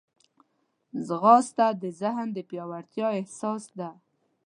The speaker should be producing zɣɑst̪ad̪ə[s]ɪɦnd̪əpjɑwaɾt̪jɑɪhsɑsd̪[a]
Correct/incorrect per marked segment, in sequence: incorrect: z, correct

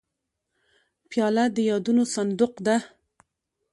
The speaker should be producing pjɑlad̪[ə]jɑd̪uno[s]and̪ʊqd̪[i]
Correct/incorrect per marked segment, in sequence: correct, correct, incorrect: a

